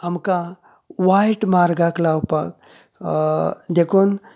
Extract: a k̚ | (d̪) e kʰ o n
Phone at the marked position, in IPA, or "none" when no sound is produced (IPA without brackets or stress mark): d̪